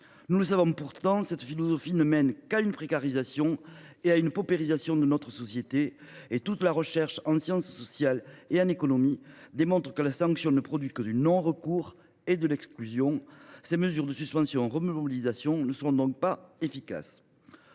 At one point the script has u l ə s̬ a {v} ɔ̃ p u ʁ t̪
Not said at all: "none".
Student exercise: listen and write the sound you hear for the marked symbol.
v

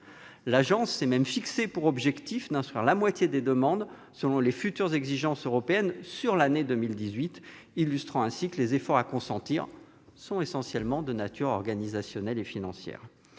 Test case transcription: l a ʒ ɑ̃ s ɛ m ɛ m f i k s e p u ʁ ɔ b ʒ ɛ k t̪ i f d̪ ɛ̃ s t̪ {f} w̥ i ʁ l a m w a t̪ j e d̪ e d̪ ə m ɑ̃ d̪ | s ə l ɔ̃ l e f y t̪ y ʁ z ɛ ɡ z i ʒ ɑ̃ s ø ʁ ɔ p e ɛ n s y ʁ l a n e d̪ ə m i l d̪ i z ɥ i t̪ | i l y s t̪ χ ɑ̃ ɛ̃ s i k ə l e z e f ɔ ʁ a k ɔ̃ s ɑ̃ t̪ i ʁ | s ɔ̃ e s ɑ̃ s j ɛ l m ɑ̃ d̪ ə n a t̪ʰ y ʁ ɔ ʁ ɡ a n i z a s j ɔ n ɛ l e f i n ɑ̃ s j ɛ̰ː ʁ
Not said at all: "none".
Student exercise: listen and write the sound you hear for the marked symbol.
χ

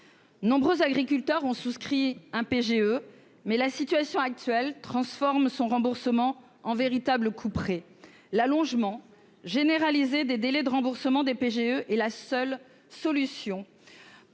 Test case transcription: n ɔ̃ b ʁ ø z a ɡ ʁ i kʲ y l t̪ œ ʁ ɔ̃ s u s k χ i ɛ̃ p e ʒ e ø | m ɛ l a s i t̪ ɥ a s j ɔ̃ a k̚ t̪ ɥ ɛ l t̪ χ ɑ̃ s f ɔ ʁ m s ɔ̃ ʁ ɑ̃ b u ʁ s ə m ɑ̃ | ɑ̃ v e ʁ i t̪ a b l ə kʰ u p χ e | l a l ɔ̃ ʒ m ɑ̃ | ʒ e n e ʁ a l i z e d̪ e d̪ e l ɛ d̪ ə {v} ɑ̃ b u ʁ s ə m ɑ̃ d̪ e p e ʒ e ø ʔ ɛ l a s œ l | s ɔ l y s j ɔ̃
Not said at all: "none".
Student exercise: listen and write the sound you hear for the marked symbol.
ʁ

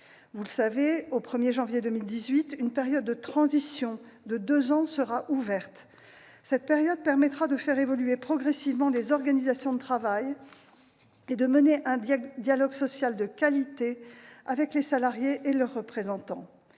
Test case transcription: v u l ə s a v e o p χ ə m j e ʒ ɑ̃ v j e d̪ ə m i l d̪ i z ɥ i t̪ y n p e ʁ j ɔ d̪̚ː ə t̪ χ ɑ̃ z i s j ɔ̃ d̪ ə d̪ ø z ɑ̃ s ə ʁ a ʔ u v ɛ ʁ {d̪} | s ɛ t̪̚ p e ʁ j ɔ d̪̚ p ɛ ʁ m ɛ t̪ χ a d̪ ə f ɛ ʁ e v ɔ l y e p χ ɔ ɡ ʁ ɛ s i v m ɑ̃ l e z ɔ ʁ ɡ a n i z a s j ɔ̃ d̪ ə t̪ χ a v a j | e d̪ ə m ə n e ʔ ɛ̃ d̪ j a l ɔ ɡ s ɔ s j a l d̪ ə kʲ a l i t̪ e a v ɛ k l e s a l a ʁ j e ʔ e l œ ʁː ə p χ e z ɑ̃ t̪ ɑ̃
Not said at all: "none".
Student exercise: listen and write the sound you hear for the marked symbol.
t̪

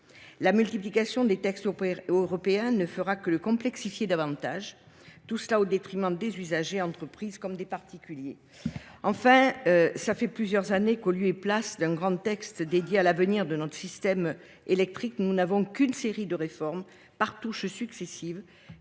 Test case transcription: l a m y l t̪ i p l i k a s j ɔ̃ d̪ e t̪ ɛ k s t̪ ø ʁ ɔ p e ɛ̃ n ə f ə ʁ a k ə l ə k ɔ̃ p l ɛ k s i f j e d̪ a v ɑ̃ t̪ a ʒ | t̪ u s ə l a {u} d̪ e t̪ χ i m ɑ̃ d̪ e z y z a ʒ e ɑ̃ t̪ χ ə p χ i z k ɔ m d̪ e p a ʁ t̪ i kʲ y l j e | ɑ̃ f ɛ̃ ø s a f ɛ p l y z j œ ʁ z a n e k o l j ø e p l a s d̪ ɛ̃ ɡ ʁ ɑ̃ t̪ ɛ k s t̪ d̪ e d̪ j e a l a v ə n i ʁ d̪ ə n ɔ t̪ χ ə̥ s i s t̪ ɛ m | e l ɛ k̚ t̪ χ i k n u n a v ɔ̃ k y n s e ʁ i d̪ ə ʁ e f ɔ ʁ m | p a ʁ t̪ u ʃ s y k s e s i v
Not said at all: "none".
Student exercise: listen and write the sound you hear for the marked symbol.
o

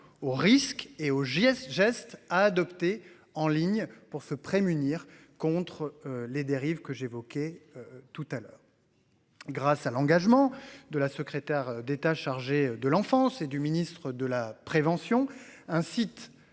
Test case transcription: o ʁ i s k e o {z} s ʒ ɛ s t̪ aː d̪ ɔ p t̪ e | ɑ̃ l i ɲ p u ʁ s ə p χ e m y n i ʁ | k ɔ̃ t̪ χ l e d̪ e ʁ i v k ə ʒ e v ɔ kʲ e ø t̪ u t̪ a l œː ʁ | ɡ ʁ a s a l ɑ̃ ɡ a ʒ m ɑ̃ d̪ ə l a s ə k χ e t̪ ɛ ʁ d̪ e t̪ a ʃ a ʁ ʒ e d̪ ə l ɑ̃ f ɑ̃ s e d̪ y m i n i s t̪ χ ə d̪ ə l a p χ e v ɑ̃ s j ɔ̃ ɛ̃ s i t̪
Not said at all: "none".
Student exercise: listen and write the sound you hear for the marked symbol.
ʒ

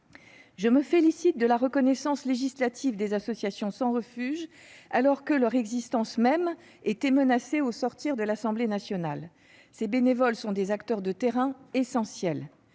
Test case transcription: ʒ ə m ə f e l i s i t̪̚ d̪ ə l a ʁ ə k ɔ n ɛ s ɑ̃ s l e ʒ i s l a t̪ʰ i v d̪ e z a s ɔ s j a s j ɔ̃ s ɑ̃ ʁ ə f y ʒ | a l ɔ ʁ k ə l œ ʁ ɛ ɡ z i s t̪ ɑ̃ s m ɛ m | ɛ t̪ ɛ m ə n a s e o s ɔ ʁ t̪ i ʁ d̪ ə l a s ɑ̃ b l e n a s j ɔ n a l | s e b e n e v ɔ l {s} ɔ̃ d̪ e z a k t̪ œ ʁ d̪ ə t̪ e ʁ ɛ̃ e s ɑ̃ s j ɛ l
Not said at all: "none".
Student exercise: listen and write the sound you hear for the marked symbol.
s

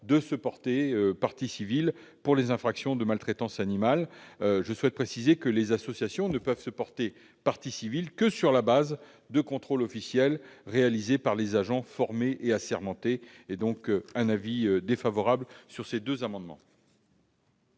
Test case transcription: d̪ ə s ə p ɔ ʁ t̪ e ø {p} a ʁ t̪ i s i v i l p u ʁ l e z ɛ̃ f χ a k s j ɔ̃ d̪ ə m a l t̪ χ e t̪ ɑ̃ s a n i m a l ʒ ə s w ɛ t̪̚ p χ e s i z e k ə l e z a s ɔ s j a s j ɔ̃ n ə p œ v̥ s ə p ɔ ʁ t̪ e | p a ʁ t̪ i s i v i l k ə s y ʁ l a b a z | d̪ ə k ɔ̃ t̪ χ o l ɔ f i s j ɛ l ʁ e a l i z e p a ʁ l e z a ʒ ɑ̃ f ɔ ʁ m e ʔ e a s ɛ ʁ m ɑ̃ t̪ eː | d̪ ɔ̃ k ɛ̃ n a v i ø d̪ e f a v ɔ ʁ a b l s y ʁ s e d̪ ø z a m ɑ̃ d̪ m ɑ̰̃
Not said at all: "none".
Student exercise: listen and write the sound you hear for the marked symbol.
p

